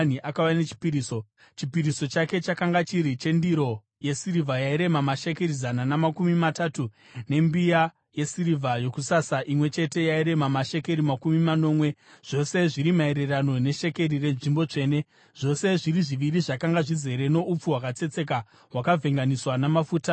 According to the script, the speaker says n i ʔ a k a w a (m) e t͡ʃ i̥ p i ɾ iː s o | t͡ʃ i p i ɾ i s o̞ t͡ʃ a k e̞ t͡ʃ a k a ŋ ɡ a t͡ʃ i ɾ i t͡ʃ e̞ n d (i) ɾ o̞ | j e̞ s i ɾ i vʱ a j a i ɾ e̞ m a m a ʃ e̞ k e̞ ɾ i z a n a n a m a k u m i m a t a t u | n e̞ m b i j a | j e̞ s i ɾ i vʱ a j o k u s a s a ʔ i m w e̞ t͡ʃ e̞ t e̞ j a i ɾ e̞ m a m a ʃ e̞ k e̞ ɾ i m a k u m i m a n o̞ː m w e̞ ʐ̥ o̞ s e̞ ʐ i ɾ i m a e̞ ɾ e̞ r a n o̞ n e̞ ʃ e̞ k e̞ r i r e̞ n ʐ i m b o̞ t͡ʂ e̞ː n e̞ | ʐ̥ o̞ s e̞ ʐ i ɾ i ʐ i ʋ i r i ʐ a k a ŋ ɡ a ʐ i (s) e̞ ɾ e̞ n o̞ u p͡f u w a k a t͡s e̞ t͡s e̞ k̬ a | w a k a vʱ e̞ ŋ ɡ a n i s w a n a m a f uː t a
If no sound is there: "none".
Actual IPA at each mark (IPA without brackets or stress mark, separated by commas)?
n, i, z